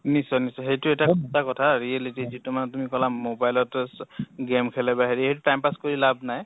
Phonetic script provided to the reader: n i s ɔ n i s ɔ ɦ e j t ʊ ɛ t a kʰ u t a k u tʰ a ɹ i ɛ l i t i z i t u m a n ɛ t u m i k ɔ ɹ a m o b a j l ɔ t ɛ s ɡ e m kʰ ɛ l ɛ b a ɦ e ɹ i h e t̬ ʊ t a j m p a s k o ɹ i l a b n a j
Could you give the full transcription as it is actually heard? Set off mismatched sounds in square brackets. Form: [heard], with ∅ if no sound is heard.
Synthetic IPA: n i s ɔ n i s ɔ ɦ e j t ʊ ɛ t a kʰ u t a k [ɔ] tʰ a ɹ i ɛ l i t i z i t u m a n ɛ t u m i k ɔ [l] a m o b a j l ɔ t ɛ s ɡ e m kʰ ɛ l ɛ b a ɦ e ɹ i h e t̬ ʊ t a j m p a s k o ɹ i l a b n a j